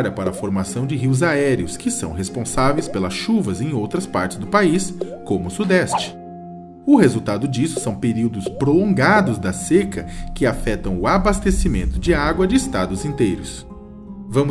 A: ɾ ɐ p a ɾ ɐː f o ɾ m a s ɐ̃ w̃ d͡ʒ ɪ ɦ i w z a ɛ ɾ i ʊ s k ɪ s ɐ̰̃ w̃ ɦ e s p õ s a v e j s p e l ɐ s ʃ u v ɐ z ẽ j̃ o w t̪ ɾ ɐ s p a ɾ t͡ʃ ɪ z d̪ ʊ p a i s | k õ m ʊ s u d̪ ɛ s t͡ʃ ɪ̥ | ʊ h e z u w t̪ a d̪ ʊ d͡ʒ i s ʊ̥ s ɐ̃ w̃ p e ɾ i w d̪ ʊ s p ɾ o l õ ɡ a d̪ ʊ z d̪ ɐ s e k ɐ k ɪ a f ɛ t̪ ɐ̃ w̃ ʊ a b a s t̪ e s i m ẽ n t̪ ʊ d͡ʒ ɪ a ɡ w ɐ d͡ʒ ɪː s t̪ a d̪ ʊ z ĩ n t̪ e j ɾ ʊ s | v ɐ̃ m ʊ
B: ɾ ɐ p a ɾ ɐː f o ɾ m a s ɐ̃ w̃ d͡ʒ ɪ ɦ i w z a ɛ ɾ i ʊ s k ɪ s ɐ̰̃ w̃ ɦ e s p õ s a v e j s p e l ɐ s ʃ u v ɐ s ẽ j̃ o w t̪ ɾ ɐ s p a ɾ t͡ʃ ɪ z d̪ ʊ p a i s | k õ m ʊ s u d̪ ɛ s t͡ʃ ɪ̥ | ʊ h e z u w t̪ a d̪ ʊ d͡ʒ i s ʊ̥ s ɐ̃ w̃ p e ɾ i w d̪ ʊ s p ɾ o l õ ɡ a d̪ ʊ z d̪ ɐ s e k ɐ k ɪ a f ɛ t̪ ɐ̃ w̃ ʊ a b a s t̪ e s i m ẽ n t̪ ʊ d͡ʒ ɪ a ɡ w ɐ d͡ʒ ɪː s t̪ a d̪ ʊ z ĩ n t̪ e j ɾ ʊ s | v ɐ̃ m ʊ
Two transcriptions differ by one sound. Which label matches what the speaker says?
A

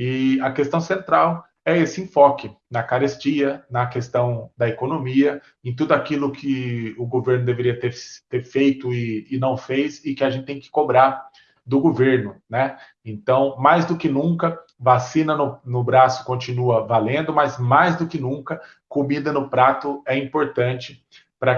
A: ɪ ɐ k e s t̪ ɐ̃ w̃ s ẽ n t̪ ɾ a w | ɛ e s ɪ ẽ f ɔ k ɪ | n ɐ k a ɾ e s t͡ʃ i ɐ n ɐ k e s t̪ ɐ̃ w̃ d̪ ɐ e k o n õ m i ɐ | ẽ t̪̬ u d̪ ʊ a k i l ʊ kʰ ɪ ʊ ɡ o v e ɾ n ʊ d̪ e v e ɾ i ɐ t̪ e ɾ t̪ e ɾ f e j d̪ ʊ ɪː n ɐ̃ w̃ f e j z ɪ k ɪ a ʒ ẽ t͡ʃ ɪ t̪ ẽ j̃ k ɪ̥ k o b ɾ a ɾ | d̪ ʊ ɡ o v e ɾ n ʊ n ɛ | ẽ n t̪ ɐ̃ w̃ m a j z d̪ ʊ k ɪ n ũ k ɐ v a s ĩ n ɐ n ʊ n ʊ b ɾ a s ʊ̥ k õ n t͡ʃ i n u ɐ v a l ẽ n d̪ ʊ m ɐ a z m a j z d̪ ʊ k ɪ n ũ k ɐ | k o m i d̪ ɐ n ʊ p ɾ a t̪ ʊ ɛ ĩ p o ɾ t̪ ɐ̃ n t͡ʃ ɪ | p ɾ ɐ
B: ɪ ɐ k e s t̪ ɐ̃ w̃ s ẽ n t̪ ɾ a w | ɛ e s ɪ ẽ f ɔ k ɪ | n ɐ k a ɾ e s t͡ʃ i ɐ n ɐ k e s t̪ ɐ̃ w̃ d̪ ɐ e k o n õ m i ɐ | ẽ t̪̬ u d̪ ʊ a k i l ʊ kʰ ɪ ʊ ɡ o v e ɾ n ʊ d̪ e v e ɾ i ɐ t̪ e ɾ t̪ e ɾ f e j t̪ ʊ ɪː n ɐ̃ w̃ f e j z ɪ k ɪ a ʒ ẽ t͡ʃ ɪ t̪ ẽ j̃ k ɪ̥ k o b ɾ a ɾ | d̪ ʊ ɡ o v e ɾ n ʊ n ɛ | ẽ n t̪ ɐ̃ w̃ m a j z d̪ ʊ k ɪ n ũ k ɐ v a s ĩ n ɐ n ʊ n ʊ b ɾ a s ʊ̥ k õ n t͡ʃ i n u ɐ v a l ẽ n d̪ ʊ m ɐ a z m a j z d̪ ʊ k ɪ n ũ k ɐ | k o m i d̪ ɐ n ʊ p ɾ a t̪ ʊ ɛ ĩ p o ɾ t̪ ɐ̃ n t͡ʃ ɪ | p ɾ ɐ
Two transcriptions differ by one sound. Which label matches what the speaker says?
B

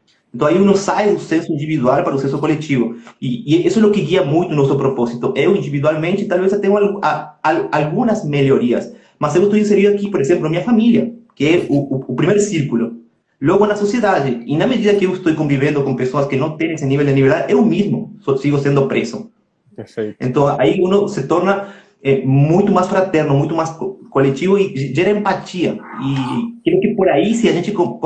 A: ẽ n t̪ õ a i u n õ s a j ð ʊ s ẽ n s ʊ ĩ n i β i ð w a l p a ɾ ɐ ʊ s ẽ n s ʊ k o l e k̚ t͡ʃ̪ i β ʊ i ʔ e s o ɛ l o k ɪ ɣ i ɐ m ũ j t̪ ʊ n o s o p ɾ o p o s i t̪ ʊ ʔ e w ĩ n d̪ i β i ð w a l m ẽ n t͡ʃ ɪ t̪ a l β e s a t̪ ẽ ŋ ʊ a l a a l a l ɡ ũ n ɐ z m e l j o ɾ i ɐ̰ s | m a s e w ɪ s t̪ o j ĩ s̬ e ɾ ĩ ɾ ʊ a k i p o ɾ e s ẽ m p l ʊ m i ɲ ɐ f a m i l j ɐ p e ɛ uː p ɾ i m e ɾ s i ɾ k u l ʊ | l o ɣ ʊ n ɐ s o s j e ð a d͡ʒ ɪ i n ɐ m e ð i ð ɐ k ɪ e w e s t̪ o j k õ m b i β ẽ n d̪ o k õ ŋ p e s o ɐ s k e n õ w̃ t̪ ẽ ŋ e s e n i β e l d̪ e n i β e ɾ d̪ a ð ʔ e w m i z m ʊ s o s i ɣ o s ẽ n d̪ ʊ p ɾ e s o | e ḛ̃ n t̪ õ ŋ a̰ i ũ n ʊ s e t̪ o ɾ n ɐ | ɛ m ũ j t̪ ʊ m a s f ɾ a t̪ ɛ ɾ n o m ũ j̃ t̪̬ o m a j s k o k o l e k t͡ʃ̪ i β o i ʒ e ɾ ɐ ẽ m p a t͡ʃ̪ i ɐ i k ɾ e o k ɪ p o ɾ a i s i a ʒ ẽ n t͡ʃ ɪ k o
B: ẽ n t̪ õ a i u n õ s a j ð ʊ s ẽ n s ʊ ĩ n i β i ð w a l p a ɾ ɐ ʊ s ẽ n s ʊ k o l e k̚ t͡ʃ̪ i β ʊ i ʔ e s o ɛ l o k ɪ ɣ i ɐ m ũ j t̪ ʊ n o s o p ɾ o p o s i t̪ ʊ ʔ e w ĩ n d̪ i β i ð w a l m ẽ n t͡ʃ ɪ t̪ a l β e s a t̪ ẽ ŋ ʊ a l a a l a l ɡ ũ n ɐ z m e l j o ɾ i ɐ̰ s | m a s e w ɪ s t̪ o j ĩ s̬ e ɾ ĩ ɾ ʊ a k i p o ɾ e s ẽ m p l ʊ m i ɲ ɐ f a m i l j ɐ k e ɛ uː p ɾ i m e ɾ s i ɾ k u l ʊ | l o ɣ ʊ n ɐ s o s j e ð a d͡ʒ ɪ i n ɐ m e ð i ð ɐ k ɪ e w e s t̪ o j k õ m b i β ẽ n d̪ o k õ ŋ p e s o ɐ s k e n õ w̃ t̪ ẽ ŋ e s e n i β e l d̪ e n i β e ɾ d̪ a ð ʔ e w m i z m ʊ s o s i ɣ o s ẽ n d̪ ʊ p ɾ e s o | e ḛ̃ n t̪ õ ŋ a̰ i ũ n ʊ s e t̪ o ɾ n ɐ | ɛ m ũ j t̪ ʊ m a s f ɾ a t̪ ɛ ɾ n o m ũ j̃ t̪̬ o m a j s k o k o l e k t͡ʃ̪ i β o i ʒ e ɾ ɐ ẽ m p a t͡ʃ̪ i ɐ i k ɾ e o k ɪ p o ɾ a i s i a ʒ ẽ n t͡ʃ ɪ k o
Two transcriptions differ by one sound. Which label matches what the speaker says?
B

